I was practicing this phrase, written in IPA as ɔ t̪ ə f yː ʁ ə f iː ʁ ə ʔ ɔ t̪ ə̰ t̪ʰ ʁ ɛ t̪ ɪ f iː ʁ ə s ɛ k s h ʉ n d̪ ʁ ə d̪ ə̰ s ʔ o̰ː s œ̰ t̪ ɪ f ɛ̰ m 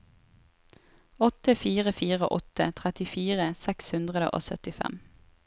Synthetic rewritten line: ɔ t̪ ə f iː ʁ ə f iː ʁ ə ʔ ɔ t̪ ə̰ t̪ʰ ʁ ɛ t̪ ɪ f iː ʁ ə s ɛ k s h ʉ n d̪ ʁ ə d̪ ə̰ ʔ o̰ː s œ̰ t̪ ɪ f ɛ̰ m